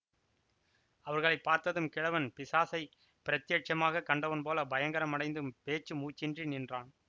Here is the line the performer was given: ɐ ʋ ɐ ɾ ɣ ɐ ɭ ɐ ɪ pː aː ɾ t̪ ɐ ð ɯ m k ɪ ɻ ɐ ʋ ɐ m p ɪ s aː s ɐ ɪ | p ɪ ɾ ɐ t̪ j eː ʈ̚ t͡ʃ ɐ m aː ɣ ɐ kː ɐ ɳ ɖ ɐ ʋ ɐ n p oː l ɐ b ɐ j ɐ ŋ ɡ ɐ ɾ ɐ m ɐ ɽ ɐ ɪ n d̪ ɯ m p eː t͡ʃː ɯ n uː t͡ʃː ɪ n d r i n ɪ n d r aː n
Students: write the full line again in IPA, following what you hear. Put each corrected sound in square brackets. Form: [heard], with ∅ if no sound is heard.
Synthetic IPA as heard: ɐ ʋ ɐ ɾ ɣ ɐ ɭ ɐ ɪ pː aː ɾ t̪ ɐ ð ɯ m k ɪ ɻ ɐ ʋ ɐ [n] p ɪ s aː s ɐ ɪ | p ɪ ɾ ɐ t̪ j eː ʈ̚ t͡ʃ ɐ m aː ɣ ɐ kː ɐ ɳ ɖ ɐ ʋ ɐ n p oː l ɐ b ɐ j ɐ ŋ ɡ ɐ ɾ ɐ m ɐ ɽ ɐ ɪ n d̪ ɯ m p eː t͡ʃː ɯ [m] uː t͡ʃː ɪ n d r i n ɪ n d r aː n